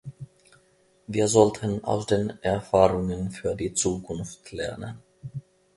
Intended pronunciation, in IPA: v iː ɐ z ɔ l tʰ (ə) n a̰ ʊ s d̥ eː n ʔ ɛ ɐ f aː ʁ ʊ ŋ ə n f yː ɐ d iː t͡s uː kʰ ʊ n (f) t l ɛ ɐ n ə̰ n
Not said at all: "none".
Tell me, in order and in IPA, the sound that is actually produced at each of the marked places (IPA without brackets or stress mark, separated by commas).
ə, f